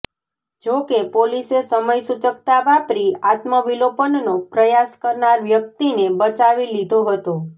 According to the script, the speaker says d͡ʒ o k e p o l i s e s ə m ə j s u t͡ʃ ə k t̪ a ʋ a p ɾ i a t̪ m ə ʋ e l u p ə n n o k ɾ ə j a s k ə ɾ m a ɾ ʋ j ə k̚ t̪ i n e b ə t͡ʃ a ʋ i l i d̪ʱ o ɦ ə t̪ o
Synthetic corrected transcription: d͡ʒ o k e p o l i s e s ə m ə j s u t͡ʃ ə k t̪ a ʋ a p ɾ i a t̪ m ə ʋ i l o p ə n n o p ɾ ə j a s k ə ɾ n a ɾ ʋ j ə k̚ t̪ i n e b ə t͡ʃ a ʋ i l i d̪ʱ o ɦ ə t̪ o